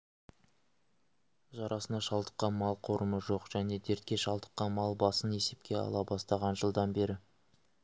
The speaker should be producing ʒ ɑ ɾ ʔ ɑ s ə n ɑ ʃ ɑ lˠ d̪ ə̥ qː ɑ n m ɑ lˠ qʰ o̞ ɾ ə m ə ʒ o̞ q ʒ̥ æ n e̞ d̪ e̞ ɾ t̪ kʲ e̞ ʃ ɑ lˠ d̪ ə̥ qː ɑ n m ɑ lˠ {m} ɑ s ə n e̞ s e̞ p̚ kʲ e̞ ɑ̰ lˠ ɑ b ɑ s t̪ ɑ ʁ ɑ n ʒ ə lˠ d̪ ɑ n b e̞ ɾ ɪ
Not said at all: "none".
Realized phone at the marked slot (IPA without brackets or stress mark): b